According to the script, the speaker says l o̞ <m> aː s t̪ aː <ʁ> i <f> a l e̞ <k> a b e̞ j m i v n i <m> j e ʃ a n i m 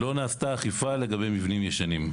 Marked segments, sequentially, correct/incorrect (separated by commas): incorrect, incorrect, correct, incorrect, correct